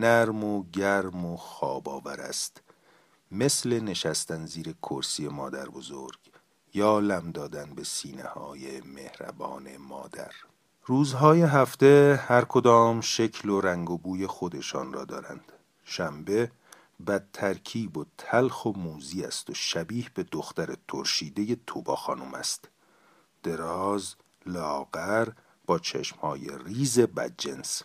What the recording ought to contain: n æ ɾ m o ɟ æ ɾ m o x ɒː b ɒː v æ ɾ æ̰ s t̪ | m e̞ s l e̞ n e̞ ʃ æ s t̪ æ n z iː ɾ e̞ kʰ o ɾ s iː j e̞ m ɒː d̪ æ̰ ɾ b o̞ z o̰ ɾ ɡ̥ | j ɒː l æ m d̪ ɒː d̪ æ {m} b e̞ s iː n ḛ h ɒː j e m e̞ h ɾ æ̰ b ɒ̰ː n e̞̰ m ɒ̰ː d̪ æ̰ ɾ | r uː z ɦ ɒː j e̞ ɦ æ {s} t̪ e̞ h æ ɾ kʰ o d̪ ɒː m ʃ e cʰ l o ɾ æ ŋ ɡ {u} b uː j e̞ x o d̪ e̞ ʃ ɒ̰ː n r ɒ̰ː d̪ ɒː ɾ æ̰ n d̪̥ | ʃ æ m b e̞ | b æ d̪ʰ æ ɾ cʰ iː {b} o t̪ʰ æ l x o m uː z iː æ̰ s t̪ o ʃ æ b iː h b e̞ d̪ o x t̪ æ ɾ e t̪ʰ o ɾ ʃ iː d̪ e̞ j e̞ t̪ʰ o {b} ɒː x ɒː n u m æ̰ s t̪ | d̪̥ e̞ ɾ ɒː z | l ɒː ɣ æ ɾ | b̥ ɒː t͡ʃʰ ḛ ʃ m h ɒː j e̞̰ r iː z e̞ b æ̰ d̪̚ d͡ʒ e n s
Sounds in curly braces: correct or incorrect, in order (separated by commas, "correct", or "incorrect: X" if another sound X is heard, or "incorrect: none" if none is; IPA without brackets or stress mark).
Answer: incorrect: n, incorrect: f, incorrect: o, correct, correct